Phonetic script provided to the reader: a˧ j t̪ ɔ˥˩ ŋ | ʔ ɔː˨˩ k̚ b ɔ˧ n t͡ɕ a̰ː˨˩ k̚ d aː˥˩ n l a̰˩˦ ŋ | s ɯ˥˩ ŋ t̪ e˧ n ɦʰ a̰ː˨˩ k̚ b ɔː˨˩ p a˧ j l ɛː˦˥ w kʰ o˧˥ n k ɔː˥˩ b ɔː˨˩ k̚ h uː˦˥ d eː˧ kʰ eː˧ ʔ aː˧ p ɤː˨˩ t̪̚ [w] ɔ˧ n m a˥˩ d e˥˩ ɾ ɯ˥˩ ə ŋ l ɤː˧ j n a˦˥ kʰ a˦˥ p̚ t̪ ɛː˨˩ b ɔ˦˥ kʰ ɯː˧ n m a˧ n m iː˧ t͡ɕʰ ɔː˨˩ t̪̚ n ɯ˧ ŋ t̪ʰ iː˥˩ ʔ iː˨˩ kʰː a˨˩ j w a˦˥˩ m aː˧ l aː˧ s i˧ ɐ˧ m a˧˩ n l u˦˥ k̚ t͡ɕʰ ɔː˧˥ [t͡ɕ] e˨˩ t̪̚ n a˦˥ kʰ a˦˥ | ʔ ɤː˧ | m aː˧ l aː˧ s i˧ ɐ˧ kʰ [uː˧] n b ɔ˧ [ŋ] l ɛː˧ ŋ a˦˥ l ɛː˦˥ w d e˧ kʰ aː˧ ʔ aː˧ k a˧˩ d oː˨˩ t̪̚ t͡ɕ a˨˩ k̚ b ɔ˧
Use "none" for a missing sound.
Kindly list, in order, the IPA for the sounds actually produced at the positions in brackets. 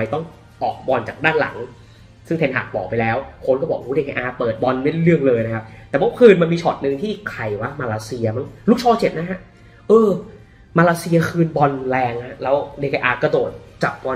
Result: b, t͡ɕ, ɯː˧, n

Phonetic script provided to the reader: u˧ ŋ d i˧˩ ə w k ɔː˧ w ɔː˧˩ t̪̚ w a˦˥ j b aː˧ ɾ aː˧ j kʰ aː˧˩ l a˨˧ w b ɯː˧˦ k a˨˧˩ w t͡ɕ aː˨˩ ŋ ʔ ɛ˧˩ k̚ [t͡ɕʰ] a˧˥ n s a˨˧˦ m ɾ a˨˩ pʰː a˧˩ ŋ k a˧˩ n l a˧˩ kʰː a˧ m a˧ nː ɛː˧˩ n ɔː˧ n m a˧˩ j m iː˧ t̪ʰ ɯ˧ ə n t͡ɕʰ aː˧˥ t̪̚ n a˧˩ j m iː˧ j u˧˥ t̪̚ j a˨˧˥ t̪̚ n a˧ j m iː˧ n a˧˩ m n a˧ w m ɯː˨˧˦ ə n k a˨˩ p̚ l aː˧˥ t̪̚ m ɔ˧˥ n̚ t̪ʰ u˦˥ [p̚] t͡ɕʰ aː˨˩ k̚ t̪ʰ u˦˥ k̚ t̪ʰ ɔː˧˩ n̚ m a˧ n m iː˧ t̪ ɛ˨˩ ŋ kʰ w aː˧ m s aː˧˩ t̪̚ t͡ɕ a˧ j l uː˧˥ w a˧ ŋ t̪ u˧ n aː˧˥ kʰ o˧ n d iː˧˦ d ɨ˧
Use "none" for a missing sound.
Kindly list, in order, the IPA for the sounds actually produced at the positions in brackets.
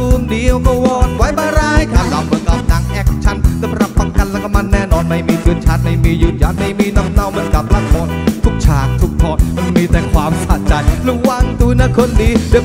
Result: t͡ɕʰ, k̚

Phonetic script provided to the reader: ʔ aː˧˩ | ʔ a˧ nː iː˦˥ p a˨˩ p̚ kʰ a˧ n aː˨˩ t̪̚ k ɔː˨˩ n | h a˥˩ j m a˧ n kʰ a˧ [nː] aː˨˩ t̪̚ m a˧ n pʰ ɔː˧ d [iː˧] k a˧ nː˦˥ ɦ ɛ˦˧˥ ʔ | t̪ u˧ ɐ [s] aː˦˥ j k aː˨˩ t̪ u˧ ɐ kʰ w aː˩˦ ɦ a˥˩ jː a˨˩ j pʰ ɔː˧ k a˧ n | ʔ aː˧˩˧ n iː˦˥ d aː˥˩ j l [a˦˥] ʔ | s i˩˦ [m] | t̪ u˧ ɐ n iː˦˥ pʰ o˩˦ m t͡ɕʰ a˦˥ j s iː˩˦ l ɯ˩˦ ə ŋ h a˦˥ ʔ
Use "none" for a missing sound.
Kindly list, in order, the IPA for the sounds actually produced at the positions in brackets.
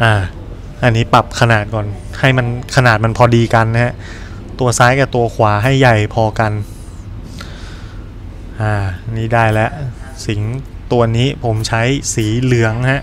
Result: n, iː˧, s, ɛ˦˥, ŋ

